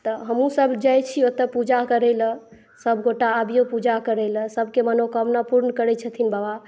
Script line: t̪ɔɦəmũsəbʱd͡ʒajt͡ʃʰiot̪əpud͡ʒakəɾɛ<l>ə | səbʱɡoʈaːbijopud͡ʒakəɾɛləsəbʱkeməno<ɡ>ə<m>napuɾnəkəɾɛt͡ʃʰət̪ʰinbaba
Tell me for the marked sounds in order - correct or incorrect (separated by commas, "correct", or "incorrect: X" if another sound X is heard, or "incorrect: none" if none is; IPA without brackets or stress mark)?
correct, incorrect: k, correct